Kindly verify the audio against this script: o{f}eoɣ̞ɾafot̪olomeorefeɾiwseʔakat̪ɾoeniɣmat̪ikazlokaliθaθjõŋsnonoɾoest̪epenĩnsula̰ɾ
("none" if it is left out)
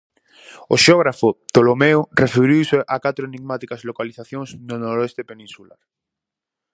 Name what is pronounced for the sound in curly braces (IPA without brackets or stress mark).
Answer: ʃ